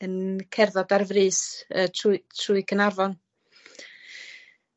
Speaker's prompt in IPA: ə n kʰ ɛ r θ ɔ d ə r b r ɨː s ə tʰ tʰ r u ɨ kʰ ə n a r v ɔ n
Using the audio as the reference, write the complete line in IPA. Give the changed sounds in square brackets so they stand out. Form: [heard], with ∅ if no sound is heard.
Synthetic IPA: ə n kʰ ɛ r [ð] ɔ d [a] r [v] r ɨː s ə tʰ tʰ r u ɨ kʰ ə n a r v ɔ n